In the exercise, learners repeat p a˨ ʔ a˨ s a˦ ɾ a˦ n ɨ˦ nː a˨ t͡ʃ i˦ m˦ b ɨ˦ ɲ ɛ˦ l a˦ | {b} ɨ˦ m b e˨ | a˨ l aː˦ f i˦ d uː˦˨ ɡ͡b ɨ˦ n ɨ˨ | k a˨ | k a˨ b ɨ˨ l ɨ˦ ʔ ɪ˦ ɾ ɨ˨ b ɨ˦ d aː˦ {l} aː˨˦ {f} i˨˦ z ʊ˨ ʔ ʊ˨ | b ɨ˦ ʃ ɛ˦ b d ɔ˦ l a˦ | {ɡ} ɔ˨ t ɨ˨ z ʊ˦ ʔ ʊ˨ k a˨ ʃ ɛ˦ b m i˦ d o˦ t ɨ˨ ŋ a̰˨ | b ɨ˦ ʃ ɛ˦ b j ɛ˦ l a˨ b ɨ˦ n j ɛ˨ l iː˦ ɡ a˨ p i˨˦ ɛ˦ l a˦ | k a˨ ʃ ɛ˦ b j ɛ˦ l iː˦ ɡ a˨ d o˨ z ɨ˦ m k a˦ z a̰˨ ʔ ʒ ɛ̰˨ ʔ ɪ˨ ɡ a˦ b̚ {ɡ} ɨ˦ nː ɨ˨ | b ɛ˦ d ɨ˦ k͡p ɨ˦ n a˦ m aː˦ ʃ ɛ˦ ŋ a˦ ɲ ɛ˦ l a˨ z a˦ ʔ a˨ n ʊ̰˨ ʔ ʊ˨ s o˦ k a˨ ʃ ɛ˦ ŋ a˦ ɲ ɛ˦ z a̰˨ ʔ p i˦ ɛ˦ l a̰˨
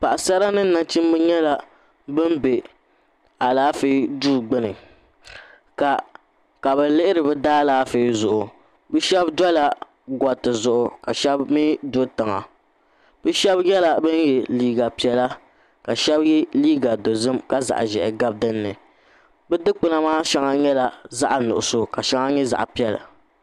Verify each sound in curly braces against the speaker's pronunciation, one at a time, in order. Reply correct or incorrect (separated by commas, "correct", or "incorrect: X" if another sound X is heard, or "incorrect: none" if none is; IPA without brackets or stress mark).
correct, correct, correct, correct, incorrect: d